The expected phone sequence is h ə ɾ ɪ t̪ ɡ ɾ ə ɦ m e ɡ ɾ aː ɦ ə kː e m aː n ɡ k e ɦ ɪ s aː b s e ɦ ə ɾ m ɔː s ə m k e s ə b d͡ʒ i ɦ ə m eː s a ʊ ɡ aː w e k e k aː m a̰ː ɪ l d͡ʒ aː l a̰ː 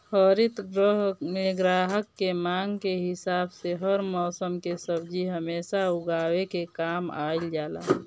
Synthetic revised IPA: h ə ɾ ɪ t̪ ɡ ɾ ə ɦ m e ɡ ɾ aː ɦ ə kː e m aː ŋ ɡ k e ɦ ɪ s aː b s e ɦ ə ɾ m ɔː s ə m k e s ə b d͡ʒ i ɦ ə m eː s a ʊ ɡ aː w e k e k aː m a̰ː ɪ l d͡ʒ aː l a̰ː